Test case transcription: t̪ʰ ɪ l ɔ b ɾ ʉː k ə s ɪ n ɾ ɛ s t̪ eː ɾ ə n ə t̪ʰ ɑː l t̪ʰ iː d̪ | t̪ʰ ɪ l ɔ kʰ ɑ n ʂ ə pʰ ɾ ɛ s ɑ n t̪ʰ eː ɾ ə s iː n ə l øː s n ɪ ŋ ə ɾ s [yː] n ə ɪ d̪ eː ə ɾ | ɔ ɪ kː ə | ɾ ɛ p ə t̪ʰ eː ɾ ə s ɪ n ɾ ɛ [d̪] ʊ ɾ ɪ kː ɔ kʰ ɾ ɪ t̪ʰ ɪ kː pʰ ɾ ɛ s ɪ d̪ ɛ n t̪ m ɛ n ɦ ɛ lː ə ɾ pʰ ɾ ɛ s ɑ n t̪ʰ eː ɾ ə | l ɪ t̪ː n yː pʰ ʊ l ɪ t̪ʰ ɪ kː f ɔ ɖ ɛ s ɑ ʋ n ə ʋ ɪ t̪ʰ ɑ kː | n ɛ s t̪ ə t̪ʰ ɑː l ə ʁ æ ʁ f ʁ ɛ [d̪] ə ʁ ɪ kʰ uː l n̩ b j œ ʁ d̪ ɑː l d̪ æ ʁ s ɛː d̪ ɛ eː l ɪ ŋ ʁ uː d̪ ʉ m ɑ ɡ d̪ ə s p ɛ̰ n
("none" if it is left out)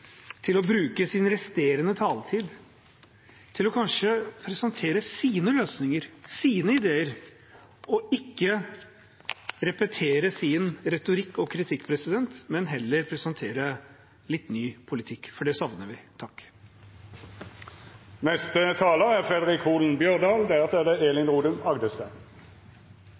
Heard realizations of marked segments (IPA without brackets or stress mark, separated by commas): iː, t̪, d̪